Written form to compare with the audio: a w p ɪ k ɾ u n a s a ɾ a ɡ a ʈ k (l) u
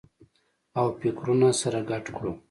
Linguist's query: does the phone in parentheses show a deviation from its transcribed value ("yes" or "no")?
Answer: yes